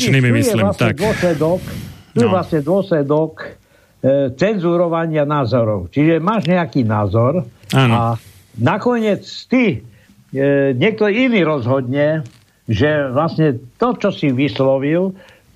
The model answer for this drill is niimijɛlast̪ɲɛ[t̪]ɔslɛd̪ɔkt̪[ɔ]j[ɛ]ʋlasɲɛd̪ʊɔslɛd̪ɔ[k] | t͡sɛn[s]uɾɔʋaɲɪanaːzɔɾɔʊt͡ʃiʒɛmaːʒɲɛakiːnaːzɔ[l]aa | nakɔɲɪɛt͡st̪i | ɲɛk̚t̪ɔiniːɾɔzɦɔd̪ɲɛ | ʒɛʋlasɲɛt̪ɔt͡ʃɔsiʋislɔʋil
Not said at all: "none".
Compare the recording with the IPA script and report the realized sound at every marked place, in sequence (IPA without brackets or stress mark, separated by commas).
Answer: d̪, u, ɛ, k, z, ɾ